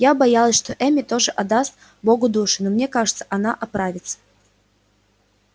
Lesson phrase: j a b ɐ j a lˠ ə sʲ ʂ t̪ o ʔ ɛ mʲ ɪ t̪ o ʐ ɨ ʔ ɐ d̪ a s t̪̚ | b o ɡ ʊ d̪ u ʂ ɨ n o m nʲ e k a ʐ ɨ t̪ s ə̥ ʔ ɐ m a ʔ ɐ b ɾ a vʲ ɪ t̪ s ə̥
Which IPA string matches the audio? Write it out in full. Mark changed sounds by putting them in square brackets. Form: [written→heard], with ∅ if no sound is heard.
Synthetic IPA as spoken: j a b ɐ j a lˠ ə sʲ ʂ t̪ o ʔ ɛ mʲ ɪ t̪ o ʐ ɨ ʔ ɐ d̪ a s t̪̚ | b o ɡ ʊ d̪ u ʂ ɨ n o m nʲ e k a ʐ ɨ t̪ s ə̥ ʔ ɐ [m→n] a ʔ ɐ [b→p] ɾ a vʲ ɪ t̪ s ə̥